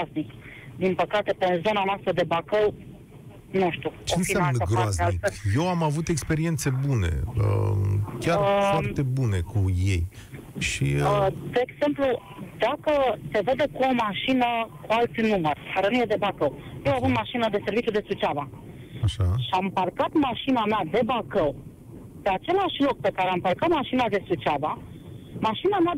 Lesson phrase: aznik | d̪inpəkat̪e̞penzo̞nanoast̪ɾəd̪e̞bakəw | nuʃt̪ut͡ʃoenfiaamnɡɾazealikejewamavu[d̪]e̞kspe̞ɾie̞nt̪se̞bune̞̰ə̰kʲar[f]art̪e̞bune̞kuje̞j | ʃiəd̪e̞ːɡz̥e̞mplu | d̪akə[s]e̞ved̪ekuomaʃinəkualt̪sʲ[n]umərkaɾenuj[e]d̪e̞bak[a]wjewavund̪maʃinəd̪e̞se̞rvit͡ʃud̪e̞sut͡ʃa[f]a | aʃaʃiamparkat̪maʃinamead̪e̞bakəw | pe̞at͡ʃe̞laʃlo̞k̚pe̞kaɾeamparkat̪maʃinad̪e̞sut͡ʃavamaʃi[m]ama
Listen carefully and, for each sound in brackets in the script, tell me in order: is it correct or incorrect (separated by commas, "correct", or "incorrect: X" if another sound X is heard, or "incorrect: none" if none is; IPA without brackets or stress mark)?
incorrect: t̪, correct, correct, correct, correct, incorrect: ə, incorrect: v, incorrect: n